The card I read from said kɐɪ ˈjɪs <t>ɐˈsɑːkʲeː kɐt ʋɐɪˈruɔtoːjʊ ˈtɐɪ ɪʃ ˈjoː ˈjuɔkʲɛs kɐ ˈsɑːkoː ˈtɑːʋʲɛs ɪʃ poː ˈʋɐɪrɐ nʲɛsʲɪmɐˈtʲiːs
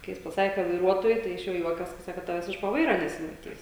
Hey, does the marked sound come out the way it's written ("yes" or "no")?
no